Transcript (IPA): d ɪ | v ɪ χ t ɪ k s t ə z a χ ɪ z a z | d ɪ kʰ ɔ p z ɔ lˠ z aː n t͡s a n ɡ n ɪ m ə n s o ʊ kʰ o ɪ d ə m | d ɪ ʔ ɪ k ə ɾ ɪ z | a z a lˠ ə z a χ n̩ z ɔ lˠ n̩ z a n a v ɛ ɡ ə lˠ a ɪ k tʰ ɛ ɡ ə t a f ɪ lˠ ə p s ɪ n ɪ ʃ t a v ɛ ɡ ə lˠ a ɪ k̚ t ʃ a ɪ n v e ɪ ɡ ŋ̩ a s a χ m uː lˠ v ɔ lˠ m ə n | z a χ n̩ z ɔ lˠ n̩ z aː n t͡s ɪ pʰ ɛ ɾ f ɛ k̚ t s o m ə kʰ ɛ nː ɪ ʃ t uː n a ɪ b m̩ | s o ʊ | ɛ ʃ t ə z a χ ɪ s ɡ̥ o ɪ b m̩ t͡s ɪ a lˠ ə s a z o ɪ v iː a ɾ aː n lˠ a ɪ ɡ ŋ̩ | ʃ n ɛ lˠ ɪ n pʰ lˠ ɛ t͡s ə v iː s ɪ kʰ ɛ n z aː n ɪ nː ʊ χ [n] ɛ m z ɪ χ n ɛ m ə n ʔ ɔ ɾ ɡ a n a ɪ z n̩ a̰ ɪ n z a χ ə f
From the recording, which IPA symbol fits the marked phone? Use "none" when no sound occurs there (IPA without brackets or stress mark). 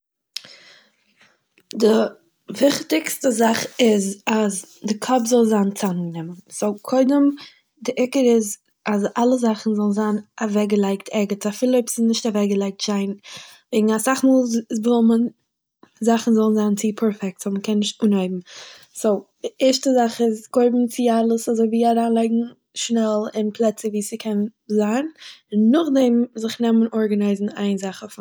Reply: d